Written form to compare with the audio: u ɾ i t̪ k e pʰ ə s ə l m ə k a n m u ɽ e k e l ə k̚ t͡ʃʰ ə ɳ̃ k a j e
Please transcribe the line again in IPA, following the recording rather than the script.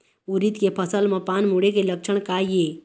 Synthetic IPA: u ɾ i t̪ k e pʰ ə s ə l m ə p a n m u ɽ e k e l ə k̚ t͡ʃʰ ə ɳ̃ k a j e

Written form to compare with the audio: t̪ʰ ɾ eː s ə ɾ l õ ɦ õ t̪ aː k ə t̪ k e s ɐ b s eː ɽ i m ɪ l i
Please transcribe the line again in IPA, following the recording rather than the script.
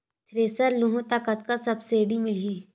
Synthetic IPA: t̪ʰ ɾ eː s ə ɾ l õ ɦ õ t̪ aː k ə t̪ k a s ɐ b s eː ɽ i m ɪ l i

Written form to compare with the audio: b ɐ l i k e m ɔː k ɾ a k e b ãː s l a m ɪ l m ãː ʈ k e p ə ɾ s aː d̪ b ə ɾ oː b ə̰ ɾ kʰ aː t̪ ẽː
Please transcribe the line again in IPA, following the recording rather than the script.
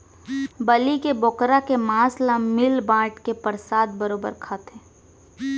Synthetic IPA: b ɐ l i k e b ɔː k ɾ a k e m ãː s l a m ɪ l b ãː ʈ k e p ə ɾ s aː d̪ b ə ɾ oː b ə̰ ɾ kʰ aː t̪ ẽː

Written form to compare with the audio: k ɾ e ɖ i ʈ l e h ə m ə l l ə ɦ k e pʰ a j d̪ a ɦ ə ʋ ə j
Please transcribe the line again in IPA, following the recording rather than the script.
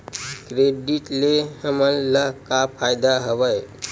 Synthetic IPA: k ɾ e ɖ i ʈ l e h ə m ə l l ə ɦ k a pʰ a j d̪ a ɦ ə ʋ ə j

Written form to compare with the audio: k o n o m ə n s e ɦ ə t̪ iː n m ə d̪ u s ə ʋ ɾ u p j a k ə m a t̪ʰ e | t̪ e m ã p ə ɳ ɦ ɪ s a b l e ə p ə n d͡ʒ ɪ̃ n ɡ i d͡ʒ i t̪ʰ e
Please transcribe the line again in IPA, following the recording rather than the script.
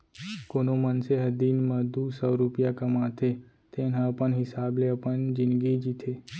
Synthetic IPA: k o n o m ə n s e ɦ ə d̪ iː n m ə d̪ u s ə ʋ ɾ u p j a k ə m a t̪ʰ e | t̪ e n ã p ə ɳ ɦ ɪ s a b l e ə p ə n d͡ʒ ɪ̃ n ɡ i d͡ʒ i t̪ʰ e

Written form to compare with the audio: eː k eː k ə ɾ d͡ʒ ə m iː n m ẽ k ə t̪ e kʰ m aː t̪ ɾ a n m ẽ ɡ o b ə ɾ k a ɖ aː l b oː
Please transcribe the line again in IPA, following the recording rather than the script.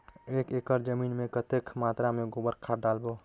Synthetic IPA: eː k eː k ə ɾ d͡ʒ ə m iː n m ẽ k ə t̪ e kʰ m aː t̪ ɾ a m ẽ ɡ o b ə ɾ kʰ a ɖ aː l b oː

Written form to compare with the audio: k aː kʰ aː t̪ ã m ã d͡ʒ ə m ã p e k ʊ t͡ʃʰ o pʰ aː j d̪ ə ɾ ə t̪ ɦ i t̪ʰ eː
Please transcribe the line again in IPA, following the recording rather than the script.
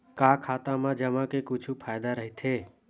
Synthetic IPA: k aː kʰ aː t̪ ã m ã d͡ʒ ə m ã k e k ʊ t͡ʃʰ u pʰ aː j d̪ a ɾ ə ɦ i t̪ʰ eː

